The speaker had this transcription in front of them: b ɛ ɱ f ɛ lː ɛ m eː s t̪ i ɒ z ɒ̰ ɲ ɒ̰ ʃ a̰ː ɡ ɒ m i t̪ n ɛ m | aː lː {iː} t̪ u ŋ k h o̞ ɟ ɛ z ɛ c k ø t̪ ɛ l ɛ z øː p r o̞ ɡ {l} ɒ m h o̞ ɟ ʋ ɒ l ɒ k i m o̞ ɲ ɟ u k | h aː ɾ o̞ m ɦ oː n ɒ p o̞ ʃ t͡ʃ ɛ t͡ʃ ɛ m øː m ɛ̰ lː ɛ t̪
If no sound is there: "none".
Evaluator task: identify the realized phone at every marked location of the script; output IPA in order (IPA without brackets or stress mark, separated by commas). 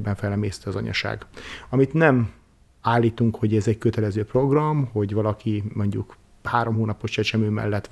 iː, r